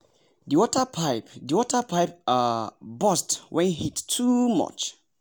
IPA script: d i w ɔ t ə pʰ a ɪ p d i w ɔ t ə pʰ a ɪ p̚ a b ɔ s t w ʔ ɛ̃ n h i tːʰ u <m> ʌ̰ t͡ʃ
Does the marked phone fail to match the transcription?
no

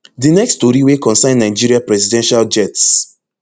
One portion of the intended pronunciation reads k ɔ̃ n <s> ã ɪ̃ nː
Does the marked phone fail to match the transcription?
no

